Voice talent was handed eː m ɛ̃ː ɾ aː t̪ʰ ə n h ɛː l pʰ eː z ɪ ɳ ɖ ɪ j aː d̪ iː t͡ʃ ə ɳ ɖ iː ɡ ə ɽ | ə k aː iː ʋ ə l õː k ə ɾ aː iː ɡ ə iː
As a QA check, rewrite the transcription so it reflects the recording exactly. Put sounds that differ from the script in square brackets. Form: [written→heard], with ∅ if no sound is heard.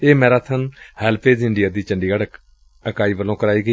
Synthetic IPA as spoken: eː m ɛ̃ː ɾ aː t̪ʰ ə n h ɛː l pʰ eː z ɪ ɳ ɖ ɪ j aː d̪ iː t͡ʃ ə ɳ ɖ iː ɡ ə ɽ | ə k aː iː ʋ ə l õː k ə ɾ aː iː ɡ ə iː